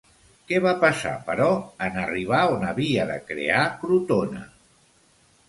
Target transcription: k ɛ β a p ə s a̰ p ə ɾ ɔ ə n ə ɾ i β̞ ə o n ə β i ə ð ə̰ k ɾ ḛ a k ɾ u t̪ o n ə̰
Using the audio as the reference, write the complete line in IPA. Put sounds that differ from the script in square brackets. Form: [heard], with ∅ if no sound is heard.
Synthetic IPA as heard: k ɛ β a p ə s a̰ p ə ɾ ɔ ə n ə [r] i β̞ [a] o n ə β i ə ð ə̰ k ɾ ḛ a k ɾ u t̪ o n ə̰